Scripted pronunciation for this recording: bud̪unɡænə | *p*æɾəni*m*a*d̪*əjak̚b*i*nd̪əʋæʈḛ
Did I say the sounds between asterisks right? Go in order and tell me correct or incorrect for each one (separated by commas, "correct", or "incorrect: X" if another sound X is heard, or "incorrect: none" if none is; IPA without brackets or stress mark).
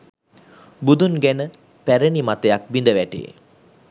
correct, correct, incorrect: t̪, correct